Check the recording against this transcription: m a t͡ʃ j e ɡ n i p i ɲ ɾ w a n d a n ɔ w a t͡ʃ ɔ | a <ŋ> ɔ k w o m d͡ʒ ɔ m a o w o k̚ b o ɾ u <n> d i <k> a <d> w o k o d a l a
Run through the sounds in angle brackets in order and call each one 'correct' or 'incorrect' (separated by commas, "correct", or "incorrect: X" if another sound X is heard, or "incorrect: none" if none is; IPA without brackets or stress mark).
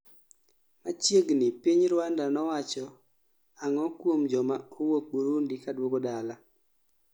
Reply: correct, correct, correct, correct